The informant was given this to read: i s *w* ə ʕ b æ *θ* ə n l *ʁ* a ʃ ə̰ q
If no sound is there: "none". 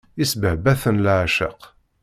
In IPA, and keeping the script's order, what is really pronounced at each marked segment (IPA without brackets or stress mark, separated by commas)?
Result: b, θ, ʕ